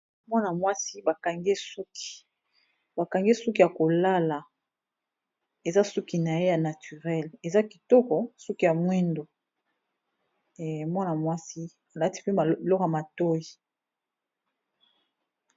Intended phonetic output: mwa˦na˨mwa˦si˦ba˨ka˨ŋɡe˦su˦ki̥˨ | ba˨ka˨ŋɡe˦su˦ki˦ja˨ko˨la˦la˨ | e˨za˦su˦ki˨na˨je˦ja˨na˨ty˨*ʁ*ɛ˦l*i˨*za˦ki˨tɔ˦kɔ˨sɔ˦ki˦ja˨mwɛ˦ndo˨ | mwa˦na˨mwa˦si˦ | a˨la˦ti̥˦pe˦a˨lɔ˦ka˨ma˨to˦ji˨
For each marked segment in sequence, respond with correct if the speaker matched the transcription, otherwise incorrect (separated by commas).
correct, incorrect